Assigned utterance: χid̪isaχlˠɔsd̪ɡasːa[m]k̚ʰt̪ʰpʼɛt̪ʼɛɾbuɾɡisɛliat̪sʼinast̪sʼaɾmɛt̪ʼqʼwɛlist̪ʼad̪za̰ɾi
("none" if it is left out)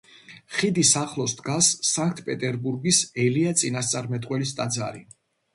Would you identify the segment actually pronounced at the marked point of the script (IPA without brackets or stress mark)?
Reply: ŋ